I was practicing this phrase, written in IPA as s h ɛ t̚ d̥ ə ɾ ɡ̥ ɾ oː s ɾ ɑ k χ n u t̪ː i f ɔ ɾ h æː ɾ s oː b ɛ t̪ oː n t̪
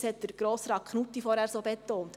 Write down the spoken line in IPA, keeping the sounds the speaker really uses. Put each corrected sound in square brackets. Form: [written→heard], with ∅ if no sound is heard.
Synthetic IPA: s h ɛ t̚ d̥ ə ɾ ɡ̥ ɾ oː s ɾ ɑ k χ n u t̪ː i f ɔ ɾ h æː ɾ s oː b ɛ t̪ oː n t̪